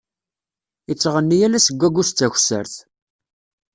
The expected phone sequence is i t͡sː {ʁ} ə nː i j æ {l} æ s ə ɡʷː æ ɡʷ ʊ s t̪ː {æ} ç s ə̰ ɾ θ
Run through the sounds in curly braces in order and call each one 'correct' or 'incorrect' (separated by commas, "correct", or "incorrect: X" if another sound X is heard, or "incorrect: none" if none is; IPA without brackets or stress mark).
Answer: correct, correct, correct